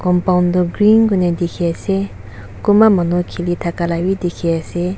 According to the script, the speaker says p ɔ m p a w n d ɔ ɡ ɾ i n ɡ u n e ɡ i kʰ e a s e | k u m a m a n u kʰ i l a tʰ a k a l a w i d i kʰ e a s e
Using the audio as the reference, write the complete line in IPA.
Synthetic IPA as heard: k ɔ m p a w n d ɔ ɡ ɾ i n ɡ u n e d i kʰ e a s e | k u m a m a n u kʰ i l i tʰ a k a l a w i d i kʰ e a s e